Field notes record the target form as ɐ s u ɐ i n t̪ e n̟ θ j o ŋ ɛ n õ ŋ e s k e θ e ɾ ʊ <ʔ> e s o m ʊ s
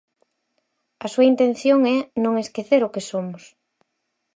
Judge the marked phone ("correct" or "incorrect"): incorrect